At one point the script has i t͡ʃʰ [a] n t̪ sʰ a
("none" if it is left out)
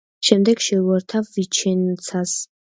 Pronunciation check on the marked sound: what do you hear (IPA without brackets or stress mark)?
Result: ɛ